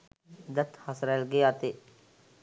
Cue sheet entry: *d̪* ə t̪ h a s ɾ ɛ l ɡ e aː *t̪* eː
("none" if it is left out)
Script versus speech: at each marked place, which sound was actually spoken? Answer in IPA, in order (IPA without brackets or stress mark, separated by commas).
d̪, t̪